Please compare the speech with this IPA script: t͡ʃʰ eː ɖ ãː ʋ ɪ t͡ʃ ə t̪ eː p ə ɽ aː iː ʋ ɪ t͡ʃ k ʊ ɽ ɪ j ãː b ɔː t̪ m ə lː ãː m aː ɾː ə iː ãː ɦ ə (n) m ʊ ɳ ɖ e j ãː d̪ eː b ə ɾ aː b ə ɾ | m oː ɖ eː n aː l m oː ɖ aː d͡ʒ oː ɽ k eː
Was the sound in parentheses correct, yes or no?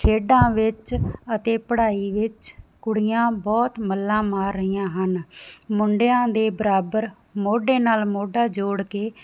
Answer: yes